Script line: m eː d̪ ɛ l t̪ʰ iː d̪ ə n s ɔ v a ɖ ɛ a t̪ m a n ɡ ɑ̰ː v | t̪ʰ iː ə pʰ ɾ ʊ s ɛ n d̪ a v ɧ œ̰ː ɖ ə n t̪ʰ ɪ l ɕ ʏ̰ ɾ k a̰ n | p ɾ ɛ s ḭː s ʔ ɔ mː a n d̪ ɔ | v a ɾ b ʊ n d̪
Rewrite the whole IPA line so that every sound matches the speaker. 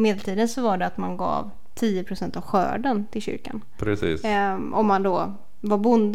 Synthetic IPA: m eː d̪ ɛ l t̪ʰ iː d̪ ə n s ɔ v a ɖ ɛ a t̪ m a n ɡ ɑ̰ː v | t̪ʰ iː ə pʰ ɾ ʊ s ɛ n t̪ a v ɧ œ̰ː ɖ ə n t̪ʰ ɪ l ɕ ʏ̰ ɾ k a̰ n | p ɾ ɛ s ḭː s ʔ ɔ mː a n d̪ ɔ | v a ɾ b ʊ n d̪